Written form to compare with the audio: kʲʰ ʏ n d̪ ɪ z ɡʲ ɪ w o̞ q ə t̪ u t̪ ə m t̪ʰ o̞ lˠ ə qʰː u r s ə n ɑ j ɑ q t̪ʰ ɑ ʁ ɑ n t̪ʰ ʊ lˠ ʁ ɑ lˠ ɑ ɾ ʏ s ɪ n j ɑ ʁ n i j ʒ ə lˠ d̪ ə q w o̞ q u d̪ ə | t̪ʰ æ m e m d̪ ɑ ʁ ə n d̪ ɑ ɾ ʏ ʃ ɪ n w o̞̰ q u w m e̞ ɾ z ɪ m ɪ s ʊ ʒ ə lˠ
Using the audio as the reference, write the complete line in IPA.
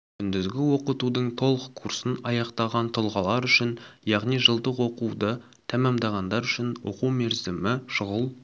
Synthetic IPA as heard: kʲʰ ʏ n d̪ ɪ z ɡʲ ɪ w o̞ q ə t̪ u d̪ ə ɴ t̪ʰ o̞ lˠ ə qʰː u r s ə n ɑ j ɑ q t̪ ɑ ʁ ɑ n t̪ʰ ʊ lˠ ʁ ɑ lˠ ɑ ɾ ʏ ʃ ɪ n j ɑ ʁ n i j ʒ ə lˠ d̪ ə q w o̞ q u d̪ ə | t̪ʰ æ m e m d̪ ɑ ʁ ɑ n d̪ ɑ ɾ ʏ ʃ ɪ n w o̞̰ q u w m e̞ ɾ z ɪ m ɪ ʃ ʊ ʁ ə lˠ